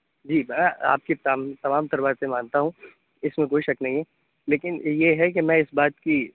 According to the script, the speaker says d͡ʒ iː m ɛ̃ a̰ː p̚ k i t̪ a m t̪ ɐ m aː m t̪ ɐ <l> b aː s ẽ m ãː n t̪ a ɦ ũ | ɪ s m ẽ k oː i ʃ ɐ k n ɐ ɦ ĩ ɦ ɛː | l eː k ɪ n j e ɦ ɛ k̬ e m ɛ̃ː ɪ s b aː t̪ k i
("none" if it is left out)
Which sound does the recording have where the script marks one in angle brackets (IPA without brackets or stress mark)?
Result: ɾ